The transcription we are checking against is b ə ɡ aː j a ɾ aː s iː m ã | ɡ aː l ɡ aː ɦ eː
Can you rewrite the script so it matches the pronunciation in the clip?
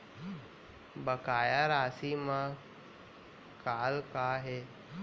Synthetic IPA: b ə k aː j a ɾ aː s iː m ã | k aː l k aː ɦ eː